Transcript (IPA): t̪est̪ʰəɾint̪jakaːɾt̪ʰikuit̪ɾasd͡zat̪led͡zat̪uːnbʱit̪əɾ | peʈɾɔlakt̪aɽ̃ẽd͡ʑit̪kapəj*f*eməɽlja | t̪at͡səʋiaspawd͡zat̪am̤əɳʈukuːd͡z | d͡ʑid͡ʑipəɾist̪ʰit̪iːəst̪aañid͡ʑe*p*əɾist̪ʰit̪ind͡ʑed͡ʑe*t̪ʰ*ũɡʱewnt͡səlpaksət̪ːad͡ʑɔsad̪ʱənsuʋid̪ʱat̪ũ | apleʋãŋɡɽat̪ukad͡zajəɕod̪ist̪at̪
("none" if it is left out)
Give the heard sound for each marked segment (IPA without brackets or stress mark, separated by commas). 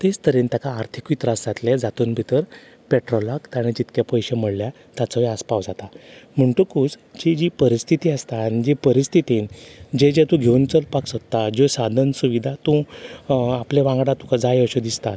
ɕ, p, t̪